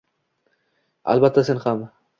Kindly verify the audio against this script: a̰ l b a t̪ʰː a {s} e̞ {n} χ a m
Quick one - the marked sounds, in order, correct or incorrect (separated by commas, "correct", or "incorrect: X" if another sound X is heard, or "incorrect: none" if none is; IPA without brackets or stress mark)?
correct, correct